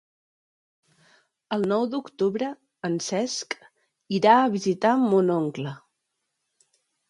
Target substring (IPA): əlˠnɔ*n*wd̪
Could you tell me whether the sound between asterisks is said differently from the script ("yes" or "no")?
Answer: yes